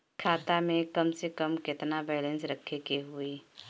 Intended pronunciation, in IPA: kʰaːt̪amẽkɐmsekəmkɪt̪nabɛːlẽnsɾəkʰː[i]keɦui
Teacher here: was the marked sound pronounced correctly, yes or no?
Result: no